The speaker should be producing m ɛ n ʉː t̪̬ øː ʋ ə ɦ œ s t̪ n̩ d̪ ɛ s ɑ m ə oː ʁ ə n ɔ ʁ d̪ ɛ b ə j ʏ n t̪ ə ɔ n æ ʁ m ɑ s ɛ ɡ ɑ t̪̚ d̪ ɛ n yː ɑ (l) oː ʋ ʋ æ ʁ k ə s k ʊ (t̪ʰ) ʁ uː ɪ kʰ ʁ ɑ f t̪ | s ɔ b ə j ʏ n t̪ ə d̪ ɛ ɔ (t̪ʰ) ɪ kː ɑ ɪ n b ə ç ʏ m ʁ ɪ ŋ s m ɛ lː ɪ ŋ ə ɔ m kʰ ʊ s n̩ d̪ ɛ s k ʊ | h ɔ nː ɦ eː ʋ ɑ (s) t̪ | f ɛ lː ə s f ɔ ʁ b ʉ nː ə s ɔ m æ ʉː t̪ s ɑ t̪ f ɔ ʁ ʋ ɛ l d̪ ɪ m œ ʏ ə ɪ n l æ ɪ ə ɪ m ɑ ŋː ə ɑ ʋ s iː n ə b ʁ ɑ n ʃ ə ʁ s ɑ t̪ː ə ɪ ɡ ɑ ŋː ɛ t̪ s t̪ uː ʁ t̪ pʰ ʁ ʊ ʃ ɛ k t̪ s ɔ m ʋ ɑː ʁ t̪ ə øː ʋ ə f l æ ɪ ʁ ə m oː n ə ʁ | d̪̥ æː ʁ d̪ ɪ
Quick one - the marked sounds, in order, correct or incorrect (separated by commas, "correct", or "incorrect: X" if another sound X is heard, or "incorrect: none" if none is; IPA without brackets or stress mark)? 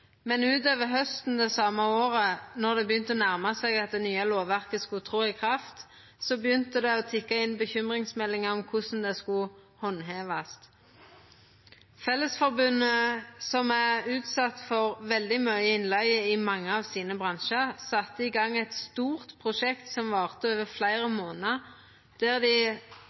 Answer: correct, correct, correct, correct